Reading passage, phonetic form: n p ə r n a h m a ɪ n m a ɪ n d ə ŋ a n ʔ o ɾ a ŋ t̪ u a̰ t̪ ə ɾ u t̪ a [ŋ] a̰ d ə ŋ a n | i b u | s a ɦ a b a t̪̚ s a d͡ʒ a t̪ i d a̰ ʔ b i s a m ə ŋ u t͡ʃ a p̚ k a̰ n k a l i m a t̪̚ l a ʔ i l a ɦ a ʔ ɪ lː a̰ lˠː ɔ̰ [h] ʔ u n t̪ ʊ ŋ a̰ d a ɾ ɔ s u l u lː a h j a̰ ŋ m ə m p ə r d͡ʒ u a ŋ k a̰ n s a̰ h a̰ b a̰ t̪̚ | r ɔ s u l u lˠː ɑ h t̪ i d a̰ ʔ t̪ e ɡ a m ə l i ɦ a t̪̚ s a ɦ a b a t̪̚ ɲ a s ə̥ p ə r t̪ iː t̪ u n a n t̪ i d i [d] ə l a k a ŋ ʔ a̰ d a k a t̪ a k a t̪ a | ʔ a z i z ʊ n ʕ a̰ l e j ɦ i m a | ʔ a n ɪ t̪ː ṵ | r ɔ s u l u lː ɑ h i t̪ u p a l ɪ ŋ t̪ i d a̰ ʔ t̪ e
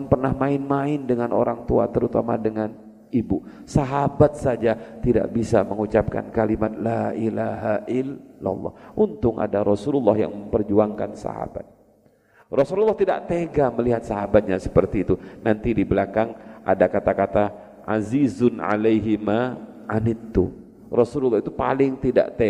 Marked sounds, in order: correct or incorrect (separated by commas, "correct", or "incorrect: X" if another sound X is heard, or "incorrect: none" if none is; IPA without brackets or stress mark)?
incorrect: m, correct, incorrect: b